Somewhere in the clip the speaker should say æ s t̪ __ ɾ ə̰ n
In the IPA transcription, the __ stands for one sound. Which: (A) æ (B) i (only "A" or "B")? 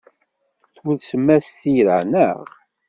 B